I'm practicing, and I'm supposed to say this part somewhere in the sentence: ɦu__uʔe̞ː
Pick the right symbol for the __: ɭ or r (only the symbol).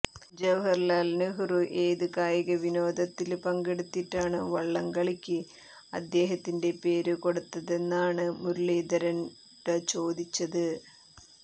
r